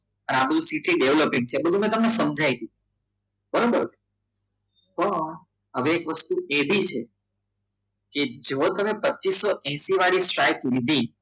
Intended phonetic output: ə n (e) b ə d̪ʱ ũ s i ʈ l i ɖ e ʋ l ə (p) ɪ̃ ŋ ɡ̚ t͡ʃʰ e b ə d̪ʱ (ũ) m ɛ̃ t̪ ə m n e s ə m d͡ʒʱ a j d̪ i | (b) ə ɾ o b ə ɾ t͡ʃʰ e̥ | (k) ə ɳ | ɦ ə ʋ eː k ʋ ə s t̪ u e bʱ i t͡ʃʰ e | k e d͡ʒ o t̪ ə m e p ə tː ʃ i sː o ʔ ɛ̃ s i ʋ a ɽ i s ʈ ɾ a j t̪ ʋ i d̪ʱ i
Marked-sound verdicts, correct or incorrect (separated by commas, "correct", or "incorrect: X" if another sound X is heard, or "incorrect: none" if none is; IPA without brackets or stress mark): incorrect: a, correct, incorrect: u, correct, incorrect: p